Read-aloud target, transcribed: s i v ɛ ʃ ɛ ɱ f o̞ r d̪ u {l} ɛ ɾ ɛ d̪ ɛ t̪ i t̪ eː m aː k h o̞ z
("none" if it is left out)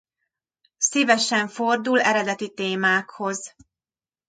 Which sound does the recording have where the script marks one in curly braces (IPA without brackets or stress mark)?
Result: l